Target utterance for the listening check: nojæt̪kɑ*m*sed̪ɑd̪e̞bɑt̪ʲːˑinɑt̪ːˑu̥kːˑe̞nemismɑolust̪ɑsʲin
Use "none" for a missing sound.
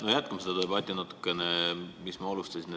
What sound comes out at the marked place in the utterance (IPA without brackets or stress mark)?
m